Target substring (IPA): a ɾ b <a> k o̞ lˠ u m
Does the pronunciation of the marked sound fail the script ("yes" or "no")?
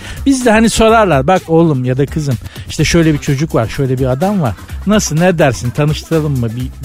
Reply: no